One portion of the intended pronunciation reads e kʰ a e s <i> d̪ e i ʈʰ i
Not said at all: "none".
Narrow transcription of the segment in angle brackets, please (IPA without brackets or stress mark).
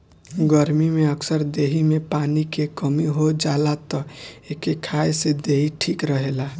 e